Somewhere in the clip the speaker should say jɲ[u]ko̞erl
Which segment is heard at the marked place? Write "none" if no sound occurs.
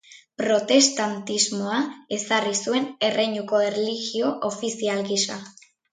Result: u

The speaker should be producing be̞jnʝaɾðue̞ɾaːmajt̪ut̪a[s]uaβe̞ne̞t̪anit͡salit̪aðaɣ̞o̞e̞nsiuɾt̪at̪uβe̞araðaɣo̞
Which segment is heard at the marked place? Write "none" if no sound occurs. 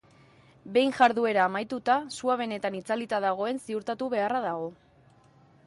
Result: s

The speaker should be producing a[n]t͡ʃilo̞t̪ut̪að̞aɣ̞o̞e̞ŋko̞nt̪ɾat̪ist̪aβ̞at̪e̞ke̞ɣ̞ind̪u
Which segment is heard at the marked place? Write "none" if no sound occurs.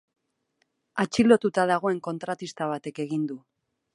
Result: none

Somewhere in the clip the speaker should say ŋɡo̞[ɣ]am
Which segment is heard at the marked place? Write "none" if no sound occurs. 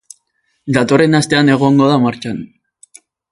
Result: ð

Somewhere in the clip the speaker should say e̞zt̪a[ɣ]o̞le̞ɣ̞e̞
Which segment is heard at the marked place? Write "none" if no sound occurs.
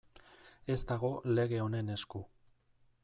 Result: ɣ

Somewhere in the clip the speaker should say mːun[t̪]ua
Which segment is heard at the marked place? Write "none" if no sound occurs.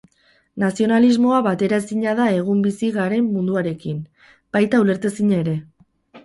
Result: d̪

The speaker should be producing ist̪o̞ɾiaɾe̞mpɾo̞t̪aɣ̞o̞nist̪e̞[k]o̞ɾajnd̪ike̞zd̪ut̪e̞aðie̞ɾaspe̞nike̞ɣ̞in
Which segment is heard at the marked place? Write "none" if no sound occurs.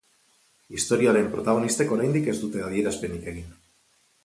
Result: k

